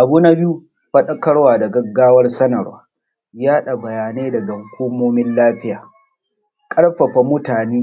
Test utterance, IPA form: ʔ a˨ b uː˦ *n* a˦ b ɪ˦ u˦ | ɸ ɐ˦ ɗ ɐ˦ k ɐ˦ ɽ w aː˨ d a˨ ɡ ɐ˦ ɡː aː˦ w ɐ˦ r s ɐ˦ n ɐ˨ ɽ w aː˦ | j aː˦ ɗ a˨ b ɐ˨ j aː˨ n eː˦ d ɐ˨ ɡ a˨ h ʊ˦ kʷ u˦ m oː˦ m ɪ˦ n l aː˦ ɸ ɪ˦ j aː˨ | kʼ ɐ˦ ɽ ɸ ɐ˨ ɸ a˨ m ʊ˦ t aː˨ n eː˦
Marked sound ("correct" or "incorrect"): correct